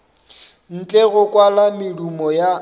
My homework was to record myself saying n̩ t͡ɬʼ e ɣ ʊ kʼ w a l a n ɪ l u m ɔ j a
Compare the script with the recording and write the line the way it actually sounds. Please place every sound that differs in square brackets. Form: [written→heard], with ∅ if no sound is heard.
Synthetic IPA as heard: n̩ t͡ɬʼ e ɣ ʊ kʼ w a l a [n→m] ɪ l u m ɔ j a